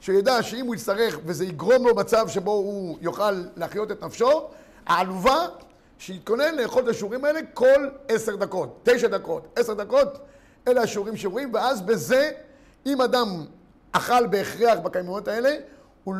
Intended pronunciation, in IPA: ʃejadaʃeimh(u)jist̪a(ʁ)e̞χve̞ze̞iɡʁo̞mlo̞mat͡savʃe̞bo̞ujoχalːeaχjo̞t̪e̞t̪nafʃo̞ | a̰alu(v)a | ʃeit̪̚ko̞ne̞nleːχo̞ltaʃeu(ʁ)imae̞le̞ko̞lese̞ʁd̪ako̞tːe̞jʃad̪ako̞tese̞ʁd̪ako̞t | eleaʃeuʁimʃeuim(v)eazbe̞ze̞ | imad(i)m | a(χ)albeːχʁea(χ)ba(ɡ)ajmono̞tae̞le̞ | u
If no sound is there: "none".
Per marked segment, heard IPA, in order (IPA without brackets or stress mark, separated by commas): u, ʁ, v, ʁ, v, a, χ, χ, k